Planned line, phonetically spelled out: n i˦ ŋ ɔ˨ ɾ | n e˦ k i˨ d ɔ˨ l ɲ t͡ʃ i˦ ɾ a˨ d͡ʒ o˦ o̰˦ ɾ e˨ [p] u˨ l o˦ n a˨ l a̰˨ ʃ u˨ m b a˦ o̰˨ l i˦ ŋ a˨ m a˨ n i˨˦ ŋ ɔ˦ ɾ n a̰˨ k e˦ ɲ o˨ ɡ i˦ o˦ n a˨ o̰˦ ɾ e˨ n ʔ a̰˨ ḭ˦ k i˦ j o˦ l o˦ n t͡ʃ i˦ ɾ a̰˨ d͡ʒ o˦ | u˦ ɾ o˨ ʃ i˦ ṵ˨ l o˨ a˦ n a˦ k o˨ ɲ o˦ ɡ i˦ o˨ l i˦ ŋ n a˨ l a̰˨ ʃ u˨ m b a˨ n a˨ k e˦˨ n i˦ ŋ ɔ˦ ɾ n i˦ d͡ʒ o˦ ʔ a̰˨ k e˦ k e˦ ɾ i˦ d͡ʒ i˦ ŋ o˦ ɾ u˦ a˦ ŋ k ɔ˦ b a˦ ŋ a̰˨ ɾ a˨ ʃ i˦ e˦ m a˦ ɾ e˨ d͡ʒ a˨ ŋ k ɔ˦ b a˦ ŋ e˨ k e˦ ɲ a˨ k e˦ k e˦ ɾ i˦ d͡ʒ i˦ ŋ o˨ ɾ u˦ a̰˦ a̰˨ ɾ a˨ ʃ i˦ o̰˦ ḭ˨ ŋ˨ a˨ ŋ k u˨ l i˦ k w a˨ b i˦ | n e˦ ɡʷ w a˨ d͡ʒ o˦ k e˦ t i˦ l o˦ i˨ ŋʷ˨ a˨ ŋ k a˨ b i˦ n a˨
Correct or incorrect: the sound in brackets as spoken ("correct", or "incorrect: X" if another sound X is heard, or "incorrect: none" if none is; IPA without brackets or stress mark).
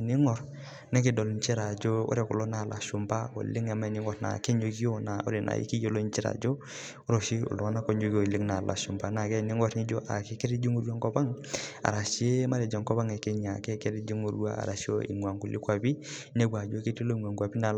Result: incorrect: k